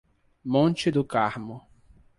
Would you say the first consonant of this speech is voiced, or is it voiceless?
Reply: voiced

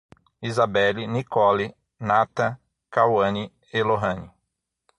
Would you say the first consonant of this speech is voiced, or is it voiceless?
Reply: voiced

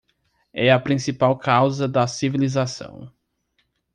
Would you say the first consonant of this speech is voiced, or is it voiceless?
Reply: voiceless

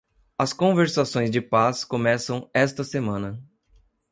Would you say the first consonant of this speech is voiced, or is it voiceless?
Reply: voiceless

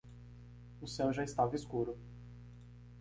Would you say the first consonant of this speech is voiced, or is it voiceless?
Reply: voiceless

